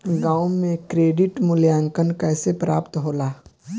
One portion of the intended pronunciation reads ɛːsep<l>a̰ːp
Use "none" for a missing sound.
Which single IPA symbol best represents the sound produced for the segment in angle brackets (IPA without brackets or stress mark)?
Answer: ɾ